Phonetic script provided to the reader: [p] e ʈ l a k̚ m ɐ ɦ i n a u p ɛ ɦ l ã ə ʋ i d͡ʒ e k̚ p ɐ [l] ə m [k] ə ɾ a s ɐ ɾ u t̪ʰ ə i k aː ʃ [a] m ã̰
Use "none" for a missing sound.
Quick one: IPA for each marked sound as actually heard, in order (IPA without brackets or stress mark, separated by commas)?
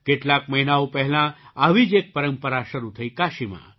k, ɾ, p, i